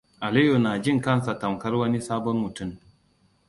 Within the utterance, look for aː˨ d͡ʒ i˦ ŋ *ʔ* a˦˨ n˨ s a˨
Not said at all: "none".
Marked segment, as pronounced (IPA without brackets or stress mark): k